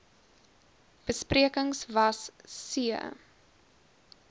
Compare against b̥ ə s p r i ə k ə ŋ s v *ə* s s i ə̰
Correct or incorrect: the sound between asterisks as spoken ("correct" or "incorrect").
incorrect